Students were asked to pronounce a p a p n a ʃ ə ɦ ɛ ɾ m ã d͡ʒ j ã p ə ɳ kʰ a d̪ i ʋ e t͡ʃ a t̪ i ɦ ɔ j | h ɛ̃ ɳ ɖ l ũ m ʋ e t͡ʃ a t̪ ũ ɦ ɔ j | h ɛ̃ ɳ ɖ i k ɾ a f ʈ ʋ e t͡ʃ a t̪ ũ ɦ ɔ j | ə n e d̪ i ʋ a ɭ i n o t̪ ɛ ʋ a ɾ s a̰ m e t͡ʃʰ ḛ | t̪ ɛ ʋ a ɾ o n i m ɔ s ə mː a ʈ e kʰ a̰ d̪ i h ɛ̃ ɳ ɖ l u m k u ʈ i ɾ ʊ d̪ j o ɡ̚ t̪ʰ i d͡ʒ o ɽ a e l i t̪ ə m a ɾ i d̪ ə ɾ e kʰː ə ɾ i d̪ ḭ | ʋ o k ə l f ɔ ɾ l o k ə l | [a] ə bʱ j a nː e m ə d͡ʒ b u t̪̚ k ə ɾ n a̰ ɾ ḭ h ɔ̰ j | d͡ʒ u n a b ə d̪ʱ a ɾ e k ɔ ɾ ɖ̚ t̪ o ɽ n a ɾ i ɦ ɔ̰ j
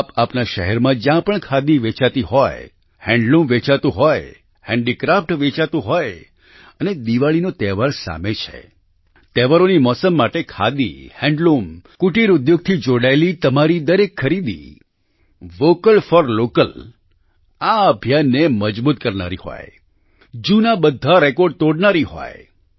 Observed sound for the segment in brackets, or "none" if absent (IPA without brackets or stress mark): a